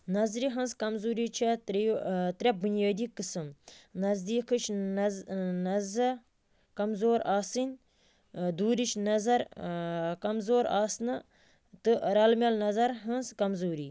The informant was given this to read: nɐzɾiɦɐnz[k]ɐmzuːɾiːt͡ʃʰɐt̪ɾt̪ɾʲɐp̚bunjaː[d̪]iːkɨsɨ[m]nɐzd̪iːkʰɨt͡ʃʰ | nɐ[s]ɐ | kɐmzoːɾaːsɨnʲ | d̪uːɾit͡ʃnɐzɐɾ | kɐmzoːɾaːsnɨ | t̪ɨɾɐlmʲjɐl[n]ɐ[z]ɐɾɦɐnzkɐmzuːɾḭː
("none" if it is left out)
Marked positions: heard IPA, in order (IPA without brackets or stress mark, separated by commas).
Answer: k, d̪, m, z, n, z